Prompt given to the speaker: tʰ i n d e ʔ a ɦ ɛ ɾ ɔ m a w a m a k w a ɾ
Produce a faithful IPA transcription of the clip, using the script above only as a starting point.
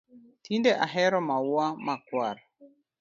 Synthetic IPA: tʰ i n d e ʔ a ɦ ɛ ɾ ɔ m a w a m a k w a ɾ